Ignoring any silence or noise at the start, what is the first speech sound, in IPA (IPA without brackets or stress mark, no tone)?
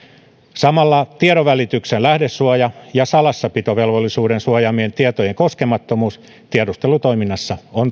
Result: s